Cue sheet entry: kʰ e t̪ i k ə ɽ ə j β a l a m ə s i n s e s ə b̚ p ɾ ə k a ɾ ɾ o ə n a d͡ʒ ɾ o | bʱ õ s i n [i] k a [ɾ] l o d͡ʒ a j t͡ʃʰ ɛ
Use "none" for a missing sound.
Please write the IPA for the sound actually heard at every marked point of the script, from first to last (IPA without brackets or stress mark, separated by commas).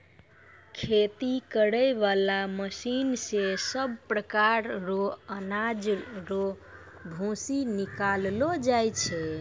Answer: i, l